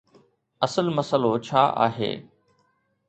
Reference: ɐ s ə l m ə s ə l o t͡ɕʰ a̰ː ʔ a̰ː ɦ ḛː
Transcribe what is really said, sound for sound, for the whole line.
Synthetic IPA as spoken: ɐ s ə l m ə s ə l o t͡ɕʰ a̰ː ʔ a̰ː ɦ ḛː